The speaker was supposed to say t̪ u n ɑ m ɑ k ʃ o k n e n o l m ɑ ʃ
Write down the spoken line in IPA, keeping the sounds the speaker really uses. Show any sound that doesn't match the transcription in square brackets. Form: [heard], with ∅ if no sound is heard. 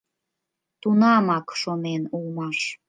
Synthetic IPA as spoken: t̪ u n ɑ m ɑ k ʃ o [∅] n e n [u] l m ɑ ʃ